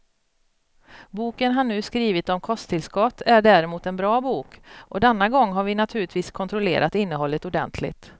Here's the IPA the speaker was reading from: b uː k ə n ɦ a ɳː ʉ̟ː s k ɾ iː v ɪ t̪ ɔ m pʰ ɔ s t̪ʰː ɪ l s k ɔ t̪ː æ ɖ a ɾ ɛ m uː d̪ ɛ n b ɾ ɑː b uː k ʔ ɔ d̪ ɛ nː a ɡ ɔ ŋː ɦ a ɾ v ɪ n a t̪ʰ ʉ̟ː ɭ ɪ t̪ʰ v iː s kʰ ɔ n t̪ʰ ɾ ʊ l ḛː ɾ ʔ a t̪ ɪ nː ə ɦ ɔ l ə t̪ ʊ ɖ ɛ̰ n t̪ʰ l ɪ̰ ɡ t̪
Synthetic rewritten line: b uː k ə n ɦ a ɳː ʉ̟ː s k ɾ iː v ɪ t̪ ɔ m kʰ ɔ s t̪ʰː ɪ l s k ɔ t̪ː æ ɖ æ ɾ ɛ m uː t̪ ɛ n b ɾ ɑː b uː k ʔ ɔ d̪ ɛ nː a ɡ ɔ ŋː ɦ a ɾ v ɪ n a t̪ʰ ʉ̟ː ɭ ɪ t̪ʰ v iː s kʰ ɔ n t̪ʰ ɾ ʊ l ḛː ɾ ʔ a t̪ ɪ nː ə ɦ ɔ lː ə t̪ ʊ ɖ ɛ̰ n t̪ʰ l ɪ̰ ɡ t̪